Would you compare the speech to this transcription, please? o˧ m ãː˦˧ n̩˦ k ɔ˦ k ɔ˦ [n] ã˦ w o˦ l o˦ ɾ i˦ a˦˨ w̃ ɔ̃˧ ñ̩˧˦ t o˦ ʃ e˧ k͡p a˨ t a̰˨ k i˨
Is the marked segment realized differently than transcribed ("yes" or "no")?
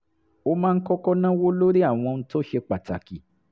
no